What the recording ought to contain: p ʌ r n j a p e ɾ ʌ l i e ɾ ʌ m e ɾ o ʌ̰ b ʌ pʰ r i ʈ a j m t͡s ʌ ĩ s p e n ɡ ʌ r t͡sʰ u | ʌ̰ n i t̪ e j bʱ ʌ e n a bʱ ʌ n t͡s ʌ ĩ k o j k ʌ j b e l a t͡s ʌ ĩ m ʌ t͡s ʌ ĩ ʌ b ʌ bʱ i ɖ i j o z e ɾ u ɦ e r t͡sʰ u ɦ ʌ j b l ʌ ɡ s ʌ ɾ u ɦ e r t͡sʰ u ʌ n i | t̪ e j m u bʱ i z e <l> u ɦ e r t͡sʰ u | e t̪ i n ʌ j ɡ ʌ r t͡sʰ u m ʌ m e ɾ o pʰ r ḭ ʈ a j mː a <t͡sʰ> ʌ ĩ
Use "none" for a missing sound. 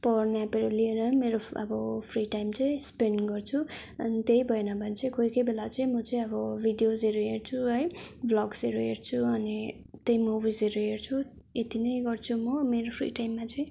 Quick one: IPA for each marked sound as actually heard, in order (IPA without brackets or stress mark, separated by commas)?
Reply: ɾ, t͡s